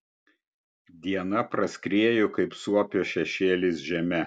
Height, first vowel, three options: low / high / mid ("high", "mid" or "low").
high